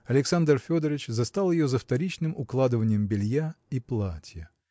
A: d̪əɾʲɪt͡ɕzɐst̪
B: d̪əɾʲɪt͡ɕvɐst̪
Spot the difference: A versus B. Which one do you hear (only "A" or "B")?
A